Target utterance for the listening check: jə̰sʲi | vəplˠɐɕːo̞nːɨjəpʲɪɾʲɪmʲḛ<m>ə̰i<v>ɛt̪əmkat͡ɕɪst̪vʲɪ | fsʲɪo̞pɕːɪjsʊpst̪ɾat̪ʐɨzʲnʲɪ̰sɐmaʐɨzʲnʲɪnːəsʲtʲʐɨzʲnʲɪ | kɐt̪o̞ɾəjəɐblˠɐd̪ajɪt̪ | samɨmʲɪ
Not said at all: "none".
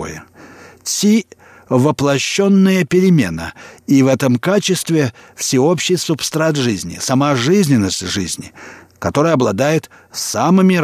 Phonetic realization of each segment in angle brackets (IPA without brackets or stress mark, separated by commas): n, v